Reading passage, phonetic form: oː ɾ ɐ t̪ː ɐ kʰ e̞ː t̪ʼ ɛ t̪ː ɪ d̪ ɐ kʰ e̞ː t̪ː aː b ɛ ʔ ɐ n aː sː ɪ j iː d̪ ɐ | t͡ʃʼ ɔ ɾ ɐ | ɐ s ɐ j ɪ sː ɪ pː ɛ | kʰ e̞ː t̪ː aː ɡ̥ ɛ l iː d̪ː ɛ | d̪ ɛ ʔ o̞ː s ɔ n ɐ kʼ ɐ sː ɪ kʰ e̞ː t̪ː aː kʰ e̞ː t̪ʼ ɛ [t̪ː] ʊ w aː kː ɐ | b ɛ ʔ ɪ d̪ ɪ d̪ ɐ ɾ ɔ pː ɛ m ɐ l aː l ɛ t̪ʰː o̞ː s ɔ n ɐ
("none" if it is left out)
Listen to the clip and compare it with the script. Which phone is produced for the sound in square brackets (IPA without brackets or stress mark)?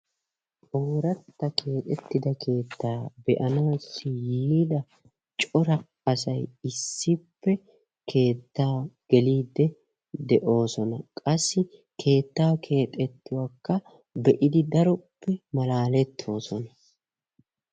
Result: t̪ː